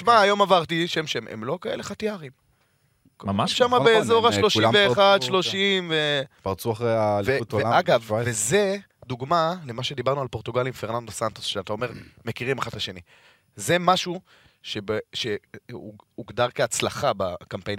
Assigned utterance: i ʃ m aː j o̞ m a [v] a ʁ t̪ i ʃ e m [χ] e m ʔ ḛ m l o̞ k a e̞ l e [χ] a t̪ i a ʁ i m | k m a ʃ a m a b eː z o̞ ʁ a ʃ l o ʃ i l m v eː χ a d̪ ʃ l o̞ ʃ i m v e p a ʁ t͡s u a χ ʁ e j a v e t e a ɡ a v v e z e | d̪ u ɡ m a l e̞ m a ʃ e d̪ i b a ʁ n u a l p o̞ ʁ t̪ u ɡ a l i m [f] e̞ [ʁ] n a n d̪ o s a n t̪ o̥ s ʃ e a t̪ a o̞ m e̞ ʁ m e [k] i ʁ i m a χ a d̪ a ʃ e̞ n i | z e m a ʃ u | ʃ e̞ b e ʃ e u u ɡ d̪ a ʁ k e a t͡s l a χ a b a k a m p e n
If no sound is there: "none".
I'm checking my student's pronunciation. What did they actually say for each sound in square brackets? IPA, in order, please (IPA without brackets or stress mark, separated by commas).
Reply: v, ʃ, χ, f, ʁ, k